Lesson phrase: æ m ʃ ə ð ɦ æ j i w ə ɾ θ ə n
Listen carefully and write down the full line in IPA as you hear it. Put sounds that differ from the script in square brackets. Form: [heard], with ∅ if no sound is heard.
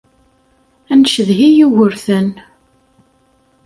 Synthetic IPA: æ [n] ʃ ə ð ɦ [i] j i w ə ɾ θ ə n

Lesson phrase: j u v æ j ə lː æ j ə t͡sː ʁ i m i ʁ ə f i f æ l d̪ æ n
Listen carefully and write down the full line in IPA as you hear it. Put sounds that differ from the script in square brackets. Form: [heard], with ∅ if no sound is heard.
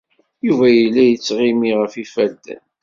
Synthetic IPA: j u v æ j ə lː æ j ə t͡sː ʁ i m i ʁ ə f i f æ l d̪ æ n

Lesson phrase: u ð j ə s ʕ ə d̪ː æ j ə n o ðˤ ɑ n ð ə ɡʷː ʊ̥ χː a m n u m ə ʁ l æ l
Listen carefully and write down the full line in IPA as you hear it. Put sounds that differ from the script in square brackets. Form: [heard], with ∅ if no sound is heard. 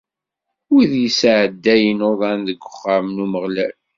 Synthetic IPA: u ð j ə s ʕ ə d̪ː æ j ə n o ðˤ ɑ n ð ə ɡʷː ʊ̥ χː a m n u m ə ʁ l æ l

